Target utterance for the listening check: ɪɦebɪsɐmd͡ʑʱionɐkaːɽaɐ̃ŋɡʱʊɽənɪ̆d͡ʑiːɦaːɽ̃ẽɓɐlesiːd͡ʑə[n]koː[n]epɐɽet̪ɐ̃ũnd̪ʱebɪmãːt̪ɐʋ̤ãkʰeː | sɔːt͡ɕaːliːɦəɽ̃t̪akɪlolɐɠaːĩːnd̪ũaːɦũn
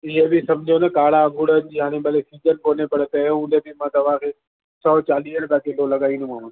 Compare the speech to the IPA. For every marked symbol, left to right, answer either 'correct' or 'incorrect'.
correct, correct

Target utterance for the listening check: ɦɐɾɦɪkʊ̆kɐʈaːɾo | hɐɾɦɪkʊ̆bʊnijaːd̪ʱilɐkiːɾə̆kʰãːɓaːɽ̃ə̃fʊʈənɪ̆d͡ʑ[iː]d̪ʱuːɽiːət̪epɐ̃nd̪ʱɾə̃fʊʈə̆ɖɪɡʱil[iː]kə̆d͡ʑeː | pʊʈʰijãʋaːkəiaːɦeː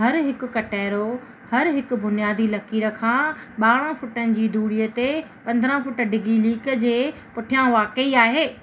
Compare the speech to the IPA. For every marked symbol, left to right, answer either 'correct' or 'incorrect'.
correct, correct

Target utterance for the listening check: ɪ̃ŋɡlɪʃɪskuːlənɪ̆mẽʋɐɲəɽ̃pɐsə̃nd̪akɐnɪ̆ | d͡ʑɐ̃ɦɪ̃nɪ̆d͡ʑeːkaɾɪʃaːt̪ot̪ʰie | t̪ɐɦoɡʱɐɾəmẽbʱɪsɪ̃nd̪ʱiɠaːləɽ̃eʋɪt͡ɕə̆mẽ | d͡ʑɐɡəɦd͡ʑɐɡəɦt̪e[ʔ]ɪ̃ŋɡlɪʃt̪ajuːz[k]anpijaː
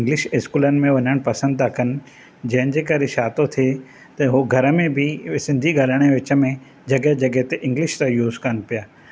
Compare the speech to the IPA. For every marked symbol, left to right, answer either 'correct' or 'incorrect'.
correct, correct

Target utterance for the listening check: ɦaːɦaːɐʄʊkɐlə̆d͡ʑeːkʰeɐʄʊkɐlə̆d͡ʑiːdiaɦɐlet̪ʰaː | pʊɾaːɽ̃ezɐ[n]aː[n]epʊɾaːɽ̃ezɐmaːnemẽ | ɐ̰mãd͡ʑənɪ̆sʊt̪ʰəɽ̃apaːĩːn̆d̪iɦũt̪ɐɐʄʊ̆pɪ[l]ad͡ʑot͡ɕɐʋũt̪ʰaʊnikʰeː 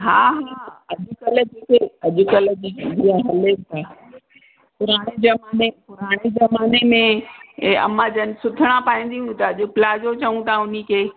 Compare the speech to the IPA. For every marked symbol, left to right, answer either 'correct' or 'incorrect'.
incorrect, correct, correct

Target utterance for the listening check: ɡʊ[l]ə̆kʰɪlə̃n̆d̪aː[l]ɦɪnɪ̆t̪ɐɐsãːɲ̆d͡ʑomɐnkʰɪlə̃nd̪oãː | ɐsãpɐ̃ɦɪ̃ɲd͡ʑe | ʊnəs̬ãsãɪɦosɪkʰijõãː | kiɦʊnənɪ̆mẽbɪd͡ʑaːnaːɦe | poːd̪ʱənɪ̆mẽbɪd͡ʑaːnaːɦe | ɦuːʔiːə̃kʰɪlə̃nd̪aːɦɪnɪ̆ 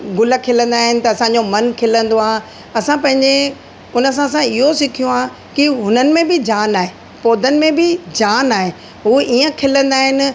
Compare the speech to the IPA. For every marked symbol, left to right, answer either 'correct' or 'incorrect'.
correct, incorrect

